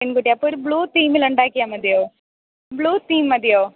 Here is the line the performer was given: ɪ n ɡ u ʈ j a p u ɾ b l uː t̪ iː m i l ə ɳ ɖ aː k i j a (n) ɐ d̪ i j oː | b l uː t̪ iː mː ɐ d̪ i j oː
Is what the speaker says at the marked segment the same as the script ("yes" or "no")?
no